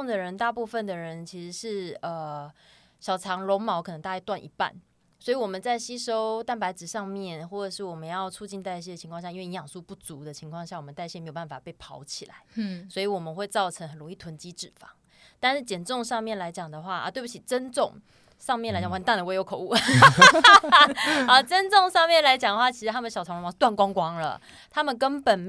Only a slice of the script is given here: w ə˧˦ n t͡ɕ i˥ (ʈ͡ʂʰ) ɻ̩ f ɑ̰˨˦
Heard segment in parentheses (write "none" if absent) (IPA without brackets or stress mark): ʈ͡ʂ